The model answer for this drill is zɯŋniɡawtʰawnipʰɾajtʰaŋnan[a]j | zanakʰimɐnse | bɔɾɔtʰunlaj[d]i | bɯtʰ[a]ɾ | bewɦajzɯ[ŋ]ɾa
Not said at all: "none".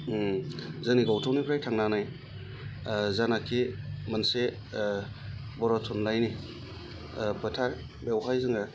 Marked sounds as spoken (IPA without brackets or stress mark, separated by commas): a, n, a, ŋ